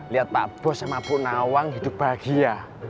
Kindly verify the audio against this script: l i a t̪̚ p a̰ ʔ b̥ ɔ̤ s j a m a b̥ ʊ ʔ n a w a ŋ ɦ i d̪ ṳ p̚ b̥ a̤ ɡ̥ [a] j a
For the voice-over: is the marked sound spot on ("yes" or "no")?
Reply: no